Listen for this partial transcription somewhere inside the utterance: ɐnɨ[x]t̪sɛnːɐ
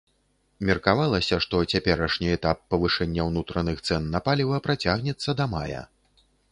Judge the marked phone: correct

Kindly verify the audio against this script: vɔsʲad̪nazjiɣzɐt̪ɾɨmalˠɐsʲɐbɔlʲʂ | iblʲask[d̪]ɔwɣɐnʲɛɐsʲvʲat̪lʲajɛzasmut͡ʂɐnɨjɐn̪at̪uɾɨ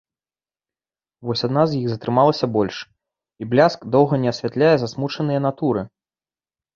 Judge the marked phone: correct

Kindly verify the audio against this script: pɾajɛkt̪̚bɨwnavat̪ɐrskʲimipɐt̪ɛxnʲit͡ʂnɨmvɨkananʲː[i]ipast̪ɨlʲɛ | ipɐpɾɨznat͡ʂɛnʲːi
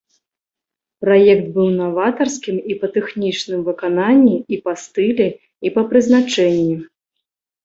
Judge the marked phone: correct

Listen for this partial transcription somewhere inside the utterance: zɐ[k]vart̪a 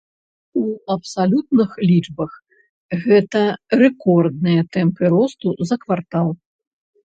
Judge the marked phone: correct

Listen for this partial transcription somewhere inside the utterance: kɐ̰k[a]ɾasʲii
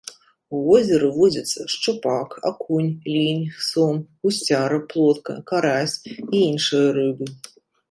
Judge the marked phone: correct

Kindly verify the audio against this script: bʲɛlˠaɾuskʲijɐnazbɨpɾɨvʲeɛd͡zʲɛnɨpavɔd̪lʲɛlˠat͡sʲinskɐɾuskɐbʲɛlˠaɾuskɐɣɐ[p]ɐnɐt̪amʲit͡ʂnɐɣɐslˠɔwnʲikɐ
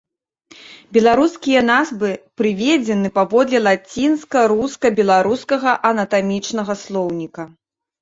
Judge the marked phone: incorrect: ʔ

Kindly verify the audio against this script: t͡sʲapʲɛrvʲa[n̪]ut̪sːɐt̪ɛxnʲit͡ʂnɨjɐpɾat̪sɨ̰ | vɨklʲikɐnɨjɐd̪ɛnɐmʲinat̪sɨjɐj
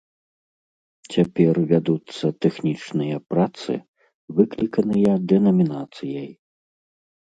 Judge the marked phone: incorrect: d̪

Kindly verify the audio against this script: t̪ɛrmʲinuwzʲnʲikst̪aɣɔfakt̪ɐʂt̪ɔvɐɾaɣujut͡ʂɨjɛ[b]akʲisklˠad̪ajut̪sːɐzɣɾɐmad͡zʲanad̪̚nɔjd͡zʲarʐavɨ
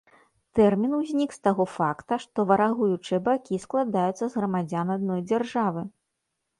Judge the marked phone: correct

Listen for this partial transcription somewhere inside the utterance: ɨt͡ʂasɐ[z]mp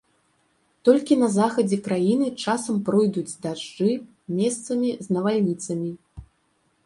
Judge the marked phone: incorrect: none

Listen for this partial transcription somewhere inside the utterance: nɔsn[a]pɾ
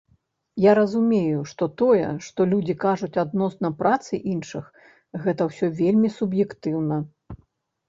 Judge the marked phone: incorrect: ɐ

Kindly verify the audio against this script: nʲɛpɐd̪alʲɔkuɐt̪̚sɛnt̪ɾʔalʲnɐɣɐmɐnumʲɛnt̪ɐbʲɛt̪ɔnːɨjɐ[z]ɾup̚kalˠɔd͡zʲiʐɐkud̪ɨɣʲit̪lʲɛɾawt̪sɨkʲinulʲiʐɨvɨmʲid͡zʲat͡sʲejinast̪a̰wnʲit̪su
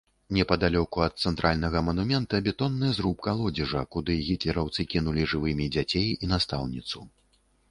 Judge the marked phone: correct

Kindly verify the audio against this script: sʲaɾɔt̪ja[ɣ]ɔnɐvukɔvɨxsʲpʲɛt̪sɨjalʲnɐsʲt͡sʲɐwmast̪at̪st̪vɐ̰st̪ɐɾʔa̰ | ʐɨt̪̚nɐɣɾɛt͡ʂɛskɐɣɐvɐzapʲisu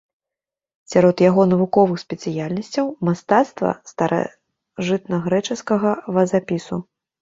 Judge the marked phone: correct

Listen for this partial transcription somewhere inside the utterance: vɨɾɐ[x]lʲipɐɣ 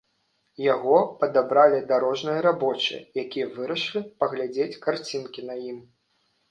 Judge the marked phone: incorrect: ʂ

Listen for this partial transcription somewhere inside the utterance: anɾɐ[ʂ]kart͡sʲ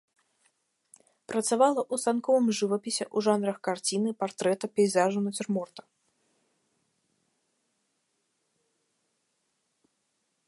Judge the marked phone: incorrect: x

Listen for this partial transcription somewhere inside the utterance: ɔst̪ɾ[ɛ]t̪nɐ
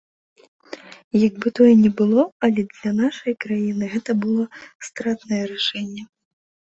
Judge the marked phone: incorrect: a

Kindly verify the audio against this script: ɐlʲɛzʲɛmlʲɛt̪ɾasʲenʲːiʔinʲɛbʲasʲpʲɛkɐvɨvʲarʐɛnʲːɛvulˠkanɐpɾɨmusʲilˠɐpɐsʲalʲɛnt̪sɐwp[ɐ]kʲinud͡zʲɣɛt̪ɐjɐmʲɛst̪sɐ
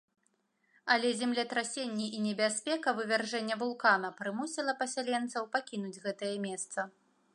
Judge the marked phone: incorrect: a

